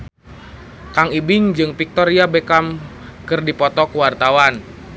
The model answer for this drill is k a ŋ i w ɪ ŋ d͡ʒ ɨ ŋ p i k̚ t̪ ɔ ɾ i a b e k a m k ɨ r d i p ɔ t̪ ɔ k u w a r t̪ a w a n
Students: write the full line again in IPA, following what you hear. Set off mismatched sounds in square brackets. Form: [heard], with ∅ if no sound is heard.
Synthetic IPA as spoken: k a ŋ i [b] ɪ ŋ d͡ʒ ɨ ŋ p i k̚ t̪ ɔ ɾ i a b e k a m k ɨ r d i p ɔ t̪ ɔ k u w a r t̪ a w a n